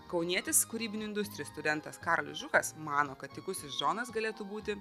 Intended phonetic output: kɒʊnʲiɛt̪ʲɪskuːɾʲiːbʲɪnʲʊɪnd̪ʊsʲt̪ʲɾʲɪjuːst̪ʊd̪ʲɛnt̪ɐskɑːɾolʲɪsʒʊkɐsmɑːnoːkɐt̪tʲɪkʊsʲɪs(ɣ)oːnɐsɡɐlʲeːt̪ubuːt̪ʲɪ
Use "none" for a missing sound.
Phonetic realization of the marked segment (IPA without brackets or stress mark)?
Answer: ʒ